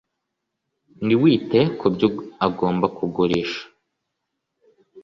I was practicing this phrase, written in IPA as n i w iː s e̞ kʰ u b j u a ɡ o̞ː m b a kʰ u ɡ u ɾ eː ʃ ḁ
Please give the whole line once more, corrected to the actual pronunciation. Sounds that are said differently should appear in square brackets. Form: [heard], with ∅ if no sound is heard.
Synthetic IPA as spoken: n i w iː [t] e̞ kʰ u b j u a ɡ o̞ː m b a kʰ u ɡ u ɾ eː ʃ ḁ